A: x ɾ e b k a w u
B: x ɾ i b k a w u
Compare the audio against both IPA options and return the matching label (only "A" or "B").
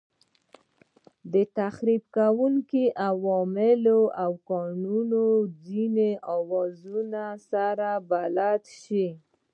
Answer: B